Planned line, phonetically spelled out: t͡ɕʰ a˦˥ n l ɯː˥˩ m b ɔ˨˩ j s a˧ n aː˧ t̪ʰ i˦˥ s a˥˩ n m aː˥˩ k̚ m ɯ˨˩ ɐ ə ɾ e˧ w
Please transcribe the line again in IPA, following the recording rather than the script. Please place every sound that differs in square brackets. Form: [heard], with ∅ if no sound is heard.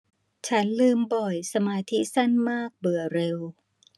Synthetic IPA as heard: t͡ɕʰ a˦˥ n l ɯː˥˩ m b ɔ˨˩ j s a˧ [m] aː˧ t̪ʰ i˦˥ s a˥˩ n m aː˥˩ k̚ [b] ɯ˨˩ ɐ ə ɾ e˧ w